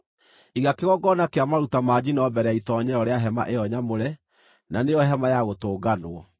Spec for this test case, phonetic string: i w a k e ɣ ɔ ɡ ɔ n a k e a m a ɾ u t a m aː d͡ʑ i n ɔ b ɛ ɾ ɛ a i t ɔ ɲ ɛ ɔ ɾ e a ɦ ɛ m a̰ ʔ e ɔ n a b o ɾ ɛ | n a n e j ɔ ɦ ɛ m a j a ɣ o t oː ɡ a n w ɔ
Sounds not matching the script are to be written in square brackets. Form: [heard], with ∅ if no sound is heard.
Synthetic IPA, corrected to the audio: i [ɣ] a k e ɣ ɔ ɡ ɔ n a k e a m a ɾ u t a m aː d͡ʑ i n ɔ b ɛ ɾ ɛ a i t ɔ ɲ ɛ ɔ ɾ e a ɦ ɛ m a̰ ʔ e ɔ [ɲ] a [m] o ɾ ɛ | n a n e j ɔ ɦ ɛ m a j a ɣ o t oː ɡ a n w ɔ